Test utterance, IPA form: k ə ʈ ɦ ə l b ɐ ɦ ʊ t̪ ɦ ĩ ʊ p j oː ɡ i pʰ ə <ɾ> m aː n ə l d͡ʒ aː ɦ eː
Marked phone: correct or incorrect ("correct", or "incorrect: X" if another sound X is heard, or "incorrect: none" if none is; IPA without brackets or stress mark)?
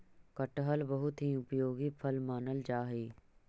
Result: incorrect: l